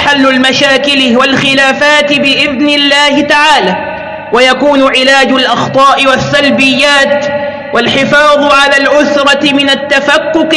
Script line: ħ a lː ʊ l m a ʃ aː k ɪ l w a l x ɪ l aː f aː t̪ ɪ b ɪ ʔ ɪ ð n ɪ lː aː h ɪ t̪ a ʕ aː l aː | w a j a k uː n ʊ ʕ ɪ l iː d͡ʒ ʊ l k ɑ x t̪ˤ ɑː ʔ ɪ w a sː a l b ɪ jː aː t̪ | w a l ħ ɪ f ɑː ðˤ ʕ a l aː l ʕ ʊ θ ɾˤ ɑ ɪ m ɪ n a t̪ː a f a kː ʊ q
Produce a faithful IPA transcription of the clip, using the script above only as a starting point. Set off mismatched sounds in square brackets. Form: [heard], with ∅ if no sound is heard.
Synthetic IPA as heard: ħ a lː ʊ l m a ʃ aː k ɪ l w a l x ɪ l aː f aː t̪ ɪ b ɪ ʔ ɪ ð n ɪ lː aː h ɪ t̪ a ʕ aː l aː | w a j a k uː n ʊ ʕ ɪ l [aː] d͡ʒ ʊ l [ʔ] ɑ x t̪ˤ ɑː ʔ ɪ w a sː a l b ɪ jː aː t̪ | w a l ħ ɪ f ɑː ðˤ ʕ a l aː l ʕ ʊ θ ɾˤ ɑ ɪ m ɪ n a t̪ː a f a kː ʊ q